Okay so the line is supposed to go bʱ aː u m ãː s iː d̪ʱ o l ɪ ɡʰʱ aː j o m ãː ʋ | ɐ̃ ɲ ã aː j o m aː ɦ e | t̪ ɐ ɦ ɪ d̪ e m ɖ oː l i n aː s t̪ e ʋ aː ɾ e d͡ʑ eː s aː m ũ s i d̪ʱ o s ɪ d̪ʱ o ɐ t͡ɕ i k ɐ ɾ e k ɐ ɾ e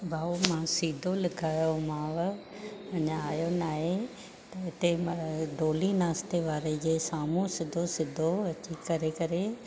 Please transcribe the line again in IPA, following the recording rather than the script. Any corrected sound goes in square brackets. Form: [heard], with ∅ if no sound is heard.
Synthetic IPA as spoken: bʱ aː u m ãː s iː d̪ʱ o l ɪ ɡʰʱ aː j o m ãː ʋ | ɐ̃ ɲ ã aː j o [n] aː ɦ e | t̪ ɐ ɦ ɪ [t̪] e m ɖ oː l i n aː s t̪ e ʋ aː ɾ e d͡ʑ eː s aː m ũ s [ɪ] d̪ʱ o s ɪ d̪ʱ o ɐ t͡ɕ i k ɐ ɾ e k ɐ ɾ e